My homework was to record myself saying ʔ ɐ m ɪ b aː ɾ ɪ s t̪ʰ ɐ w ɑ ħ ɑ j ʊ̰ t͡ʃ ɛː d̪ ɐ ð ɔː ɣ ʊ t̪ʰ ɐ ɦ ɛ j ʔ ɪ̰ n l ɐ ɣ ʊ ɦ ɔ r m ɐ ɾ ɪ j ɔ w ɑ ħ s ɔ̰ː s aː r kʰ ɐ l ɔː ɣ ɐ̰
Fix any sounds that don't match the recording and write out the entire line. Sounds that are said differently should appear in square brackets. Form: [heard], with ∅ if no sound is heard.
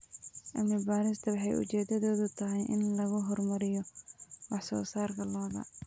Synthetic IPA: ʔ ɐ m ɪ b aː ɾ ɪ s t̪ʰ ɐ w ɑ ħ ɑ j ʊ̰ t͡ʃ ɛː d̪ ɐ ð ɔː [ð] ʊ t̪ʰ ɐ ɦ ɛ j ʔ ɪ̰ n l ɐ ɣ ʊ ɦ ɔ r m ɐ ɾ ɪ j ɔ w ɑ ħ s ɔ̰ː s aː r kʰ ɐ l ɔː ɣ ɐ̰